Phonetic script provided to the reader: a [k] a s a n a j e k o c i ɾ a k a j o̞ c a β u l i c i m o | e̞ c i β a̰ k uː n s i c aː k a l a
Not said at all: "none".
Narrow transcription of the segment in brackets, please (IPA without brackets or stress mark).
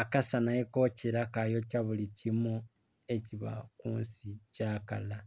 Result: k